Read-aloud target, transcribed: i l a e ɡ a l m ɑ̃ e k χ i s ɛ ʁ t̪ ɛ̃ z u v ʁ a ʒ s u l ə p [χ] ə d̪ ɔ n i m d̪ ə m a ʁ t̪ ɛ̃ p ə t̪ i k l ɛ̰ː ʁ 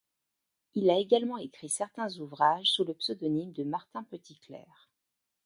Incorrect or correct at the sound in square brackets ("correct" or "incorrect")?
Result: incorrect